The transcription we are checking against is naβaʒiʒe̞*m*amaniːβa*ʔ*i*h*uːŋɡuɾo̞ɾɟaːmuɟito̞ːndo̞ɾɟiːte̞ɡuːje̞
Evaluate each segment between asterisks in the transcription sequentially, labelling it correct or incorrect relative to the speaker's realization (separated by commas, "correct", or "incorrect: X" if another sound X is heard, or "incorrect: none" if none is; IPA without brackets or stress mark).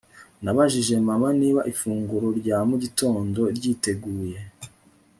correct, correct, incorrect: f